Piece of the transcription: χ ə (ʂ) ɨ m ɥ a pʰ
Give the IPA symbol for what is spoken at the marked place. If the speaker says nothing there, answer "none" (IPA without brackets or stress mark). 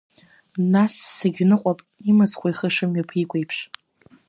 ʂ